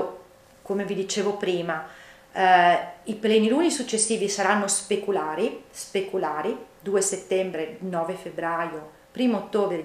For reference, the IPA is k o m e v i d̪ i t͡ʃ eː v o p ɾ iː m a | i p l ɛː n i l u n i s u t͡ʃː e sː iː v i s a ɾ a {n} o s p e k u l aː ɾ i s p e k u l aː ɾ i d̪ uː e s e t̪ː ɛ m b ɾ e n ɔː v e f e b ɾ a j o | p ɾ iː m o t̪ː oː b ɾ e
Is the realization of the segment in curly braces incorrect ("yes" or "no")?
yes